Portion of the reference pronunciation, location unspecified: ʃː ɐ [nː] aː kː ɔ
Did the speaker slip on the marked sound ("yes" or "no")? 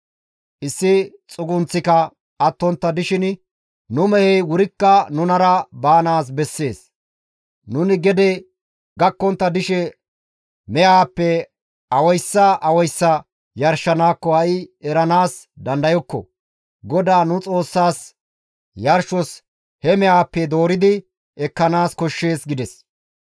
yes